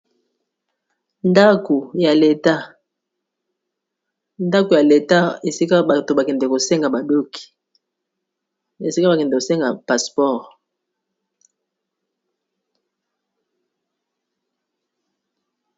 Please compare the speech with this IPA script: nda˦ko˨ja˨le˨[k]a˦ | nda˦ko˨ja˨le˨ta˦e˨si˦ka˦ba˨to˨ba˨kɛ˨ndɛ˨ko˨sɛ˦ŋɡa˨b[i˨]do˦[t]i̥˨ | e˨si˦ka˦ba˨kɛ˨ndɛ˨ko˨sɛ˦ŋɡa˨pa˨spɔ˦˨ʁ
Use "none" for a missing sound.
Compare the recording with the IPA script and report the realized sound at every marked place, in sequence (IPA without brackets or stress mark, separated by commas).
t, a˨, k